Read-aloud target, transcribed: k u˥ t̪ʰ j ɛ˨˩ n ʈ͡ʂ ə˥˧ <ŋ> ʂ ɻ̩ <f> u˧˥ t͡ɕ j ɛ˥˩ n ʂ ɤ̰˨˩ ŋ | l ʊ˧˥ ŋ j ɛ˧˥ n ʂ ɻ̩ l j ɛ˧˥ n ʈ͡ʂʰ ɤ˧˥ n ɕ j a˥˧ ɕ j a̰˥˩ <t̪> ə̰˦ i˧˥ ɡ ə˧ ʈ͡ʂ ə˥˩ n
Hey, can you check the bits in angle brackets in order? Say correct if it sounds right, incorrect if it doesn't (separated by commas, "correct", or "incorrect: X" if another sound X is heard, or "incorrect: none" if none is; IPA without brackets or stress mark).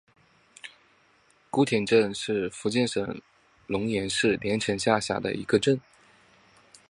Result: incorrect: n, correct, incorrect: d̪